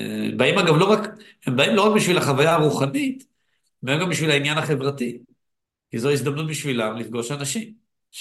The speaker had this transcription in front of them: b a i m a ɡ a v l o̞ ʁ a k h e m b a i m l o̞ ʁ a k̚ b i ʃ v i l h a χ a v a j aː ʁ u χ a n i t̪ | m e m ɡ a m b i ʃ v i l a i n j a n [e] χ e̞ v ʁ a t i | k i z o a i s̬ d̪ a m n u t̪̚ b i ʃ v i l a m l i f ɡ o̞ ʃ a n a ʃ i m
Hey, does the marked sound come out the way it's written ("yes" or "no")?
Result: no